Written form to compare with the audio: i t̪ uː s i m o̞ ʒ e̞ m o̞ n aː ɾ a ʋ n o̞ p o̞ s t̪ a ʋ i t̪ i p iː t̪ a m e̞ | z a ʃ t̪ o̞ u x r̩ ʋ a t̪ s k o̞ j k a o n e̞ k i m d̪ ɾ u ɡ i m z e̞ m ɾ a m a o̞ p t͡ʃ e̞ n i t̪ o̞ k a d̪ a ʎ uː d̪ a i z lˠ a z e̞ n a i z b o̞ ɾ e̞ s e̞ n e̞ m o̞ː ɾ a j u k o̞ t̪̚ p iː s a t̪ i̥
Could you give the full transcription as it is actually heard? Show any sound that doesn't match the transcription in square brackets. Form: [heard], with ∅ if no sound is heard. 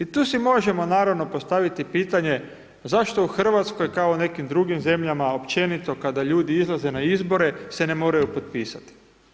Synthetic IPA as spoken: i t̪ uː s i m o̞ ʒ e̞ m o̞ n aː ɾ a ʋ n o̞ p o̞ s t̪ a ʋ i t̪ i p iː t̪ a [ɲ] e̞ | z a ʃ t̪ o̞ u x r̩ ʋ a t̪ s k o̞ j k a o n e̞ k i m d̪ ɾ u ɡ i m z e̞ m [ʎ] a m a o̞ p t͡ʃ e̞ n i t̪ o̞ k a d̪ a ʎ uː d̪ [i] i z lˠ a z e̞ n a i z b o̞ ɾ e̞ s e̞ n e̞ m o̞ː ɾ a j u [p] o̞ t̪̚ p iː s a t̪ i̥